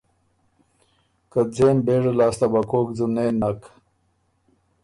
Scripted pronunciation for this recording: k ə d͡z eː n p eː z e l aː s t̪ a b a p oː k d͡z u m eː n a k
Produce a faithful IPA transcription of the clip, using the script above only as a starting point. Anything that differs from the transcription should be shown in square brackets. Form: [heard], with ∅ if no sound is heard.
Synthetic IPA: k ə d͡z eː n [b] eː [ʐ] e l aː s t̪ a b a [k] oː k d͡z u [n] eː n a k